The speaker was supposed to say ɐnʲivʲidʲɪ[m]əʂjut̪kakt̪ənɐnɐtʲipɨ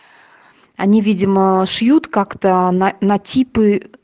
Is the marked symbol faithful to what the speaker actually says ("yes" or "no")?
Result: yes